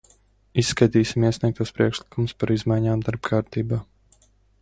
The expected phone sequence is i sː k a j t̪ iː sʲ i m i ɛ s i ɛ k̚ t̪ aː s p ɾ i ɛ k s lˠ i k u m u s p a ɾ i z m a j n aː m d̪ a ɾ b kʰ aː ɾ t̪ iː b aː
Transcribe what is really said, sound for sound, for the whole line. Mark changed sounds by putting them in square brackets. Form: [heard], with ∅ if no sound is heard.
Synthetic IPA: i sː k a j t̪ iː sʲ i m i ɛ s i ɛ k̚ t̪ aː s p ɾ i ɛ k [ʃ] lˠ i k u m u s p a ɾ i z m a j [ɲ] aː m d̪ a ɾ b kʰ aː ɾ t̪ iː b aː